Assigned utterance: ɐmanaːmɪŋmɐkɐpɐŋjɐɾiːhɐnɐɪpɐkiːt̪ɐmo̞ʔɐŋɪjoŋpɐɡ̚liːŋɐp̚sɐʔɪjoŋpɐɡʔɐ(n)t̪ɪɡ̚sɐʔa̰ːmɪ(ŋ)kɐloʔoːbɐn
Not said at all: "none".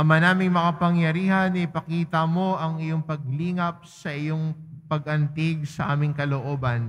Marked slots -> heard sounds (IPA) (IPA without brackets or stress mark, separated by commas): n, ŋ